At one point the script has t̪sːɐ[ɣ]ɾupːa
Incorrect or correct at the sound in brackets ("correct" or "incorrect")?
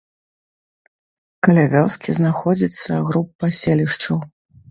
correct